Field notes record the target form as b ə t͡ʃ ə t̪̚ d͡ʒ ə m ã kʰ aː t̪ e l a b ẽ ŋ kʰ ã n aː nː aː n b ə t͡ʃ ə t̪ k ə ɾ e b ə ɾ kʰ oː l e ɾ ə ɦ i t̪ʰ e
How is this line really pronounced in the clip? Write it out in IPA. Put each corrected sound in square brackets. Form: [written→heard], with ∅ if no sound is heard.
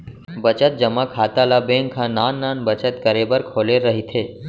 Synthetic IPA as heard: b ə t͡ʃ ə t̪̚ d͡ʒ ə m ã kʰ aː t̪ [e→a] l a b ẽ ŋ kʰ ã n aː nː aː n b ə t͡ʃ ə t̪ k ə ɾ e b ə ɾ kʰ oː l e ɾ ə ɦ i t̪ʰ e